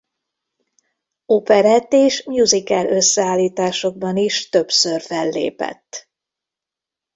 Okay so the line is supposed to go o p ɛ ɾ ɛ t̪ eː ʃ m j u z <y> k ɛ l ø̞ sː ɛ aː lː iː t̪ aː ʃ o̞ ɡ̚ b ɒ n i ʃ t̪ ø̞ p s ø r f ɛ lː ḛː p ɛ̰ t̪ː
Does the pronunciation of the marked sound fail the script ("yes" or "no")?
yes